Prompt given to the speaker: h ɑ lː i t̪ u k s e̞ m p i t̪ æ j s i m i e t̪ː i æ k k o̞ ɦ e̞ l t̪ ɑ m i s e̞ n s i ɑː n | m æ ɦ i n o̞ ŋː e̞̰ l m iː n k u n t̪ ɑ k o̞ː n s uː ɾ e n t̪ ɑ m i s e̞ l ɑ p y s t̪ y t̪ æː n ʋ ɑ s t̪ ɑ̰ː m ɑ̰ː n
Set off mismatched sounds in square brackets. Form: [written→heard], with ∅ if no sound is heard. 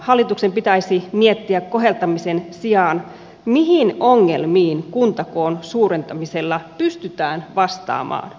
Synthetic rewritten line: h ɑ lː i t̪ u k s e̞ m p i t̪ æ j s i m i e t̪ː i æ k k o̞ ɦ e̞ l t̪ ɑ m i s e̞ n s i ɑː n | m [æ→i] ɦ i n o̞ ŋː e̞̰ l m iː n k u n t̪ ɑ k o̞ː n s uː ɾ e n t̪ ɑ m i s e̞ [l→lː] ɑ p y s t̪ y t̪ æː n ʋ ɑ s t̪ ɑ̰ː m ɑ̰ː n